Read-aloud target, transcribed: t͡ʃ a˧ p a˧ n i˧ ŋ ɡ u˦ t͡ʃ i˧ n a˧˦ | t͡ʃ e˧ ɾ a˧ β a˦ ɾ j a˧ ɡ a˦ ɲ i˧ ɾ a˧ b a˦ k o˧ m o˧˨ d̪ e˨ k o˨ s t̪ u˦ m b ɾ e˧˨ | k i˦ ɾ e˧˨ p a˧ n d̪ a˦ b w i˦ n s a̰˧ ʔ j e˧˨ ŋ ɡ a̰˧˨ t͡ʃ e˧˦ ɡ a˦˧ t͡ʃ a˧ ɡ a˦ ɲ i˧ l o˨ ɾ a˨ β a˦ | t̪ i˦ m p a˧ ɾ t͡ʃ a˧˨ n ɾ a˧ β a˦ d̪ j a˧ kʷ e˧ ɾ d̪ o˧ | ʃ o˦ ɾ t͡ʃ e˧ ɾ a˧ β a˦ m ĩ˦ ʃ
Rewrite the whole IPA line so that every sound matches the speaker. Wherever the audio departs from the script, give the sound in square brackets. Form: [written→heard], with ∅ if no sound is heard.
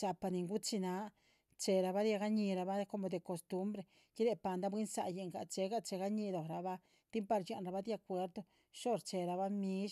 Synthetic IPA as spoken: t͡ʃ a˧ p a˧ n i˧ ŋ ɡ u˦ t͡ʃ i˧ n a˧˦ | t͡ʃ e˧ ɾ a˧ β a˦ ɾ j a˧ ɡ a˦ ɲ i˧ ɾ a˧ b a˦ k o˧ m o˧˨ d̪ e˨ k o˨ s t̪ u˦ m b ɾ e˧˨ | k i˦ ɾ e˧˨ p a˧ n d̪ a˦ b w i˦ n s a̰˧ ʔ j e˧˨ ŋ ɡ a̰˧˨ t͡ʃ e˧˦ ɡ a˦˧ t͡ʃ [a˧→e˧] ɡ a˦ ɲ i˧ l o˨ ɾ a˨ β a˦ | t̪ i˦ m p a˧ ɾ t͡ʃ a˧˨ n ɾ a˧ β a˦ d̪ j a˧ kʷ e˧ ɾ d̪ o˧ | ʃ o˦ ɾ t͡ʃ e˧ ɾ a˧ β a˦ m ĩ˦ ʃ